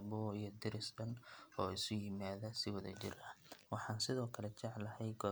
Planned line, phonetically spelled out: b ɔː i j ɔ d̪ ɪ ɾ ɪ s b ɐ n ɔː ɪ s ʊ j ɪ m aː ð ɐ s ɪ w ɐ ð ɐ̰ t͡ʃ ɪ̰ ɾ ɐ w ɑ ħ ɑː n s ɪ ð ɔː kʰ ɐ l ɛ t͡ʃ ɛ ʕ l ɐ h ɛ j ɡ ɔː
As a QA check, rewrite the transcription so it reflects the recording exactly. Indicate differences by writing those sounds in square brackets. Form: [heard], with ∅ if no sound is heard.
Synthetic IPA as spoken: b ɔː i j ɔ d̪ ɪ ɾ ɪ s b ɐ n ɔː ɪ s ʊ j ɪ m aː ð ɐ s ɪ w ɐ ð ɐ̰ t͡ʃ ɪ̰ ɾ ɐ w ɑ ħ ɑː n s ɪ ð ɔː kʰ ɐ l ɛ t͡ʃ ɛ ʕ l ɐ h ɛ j ɡ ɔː